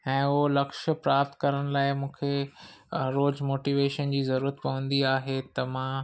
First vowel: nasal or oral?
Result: nasal